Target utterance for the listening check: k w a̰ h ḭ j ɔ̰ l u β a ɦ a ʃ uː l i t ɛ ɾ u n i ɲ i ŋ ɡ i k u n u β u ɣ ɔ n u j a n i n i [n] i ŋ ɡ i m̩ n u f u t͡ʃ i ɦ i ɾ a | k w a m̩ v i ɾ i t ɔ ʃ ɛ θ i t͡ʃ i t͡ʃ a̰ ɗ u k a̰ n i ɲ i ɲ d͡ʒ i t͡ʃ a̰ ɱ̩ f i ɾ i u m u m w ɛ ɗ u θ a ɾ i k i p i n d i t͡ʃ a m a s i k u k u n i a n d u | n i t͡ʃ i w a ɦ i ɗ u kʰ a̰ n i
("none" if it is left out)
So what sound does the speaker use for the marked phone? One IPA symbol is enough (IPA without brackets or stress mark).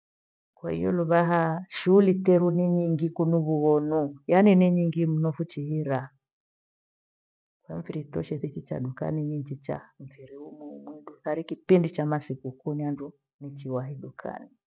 ɲ